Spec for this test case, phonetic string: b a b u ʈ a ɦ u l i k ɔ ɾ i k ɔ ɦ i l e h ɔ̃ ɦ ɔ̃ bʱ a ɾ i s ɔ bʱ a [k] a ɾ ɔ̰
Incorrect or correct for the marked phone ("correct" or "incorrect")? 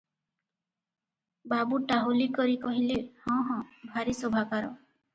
correct